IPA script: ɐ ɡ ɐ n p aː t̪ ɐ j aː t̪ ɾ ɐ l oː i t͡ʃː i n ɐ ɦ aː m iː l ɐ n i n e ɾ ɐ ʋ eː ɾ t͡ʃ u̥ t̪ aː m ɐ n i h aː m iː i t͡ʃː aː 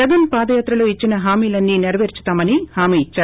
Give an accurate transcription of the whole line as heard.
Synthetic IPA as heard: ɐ ɡ ɐ n p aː d̪ ɐ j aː t̪ ɾ ɐ l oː i t͡ʃː i n ɐ ɦ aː m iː l ɐ nː i n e ɾ ɐ ʋ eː ɾ t͡ʃ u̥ t̪ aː m ɐ n i h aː m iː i t͡ʃː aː

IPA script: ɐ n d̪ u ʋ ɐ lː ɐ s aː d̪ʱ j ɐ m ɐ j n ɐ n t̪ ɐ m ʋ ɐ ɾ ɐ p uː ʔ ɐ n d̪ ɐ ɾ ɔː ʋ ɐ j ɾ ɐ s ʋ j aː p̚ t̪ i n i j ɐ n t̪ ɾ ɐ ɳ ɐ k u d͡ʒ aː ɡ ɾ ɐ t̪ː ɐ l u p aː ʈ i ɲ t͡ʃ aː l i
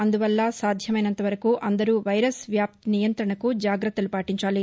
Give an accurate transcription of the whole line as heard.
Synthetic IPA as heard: ɐ n d̪ u ʋ ɐ lː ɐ s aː d̪ʱ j ɐ m ɐ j n ɐ n t̪ ɐ ʋ ɐ ɾ ɐ k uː ʔ ɐ n d̪ ɐ ɾ uː ʋ ɐ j ɾ ɐ s ʋ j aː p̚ t̪ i n i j ɐ n t̪ ɾ ɐ ɳ ɐ k u d͡ʒ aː ɡ ɾ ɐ t̪ː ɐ l u p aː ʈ i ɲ t͡ʃ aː l i

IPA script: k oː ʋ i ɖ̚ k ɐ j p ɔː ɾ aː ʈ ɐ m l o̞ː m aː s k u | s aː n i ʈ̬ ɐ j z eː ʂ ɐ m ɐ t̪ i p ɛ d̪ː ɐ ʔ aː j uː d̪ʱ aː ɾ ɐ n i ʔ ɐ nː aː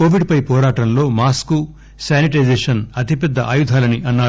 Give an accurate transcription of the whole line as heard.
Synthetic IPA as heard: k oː ʋ i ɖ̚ p ɐ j p ɔː ɾ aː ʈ ɐ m l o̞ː m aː s k u | s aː n i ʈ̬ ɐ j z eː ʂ ɐ n ɐ t̪ i p ɛ d̪ː ɐ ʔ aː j u d̪ʱ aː l ɐ n i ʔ ɐ nː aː

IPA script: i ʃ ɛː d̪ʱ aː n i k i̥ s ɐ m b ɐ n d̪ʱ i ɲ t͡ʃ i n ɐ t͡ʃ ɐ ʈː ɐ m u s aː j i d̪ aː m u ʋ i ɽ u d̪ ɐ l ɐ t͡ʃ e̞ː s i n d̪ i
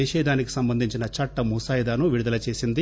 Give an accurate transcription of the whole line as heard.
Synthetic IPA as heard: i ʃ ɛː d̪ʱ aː n i k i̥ s ɐ m b ɐ n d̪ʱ i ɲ t͡ʃ i n ɐ t͡ʃ ɐ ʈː ɐ m u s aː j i d̪ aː n u ʋ i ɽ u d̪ ɐ l ɐ t͡ʃ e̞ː s i n d̪ i

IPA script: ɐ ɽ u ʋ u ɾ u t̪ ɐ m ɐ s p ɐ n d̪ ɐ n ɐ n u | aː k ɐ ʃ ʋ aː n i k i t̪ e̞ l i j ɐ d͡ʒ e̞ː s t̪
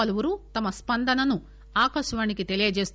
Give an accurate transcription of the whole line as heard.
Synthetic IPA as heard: ɐ l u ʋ u ɾ u t̪ ɐ m ɐ s p ɐ n d̪ ɐ n ɐ n u | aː k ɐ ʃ ʋ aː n i k i t̪ e̞ l i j ɐ d͡ʒ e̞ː s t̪

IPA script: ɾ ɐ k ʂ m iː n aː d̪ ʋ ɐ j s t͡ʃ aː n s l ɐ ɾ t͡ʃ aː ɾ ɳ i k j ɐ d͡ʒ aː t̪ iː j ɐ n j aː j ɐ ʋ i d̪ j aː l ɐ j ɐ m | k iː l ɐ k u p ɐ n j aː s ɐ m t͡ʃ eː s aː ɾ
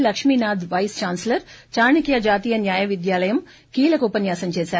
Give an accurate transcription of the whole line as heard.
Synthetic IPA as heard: l ɐ k ʂ m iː n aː d̪ ʋ ɐ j s t͡ʃ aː n s l ɐ ɾ t͡ʃ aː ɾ ɳ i k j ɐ d͡ʒ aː t̪ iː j ɐ n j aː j ɐ ʋ i d̪ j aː l ɐ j ɐ m | k iː l ɐ k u p ɐ n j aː s ɐ m t͡ʃ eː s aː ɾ

